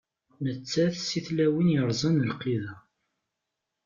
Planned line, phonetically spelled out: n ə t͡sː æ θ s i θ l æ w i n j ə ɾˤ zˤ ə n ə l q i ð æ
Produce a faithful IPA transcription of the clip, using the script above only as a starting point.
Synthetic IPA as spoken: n ə t͡sː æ θ s i θ l æ w i n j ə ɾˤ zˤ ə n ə l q i ð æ

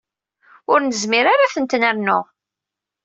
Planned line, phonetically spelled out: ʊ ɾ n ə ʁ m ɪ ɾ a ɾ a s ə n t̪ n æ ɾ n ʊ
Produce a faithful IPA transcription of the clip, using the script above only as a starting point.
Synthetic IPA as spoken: ʊ ɾ n ə z m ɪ ɾ a ɾ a θ ə n t̪ n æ ɾ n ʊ

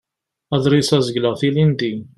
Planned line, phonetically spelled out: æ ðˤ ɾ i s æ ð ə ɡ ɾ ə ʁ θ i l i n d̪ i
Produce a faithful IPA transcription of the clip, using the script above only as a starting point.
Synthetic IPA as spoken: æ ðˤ ɾ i s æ z ə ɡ l ə ʁ θ i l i n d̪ i

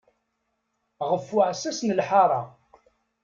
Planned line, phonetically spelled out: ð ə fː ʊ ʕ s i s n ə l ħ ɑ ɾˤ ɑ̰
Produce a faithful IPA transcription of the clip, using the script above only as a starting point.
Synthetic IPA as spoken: ʁ ə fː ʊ ʕ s æ s n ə l ħ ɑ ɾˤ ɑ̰

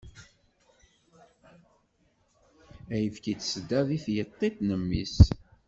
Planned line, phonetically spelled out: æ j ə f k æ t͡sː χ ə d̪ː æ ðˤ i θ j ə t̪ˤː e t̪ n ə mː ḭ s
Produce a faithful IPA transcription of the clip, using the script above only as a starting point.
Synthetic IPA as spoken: æ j ə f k i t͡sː s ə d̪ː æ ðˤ i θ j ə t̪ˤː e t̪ n ə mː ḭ s

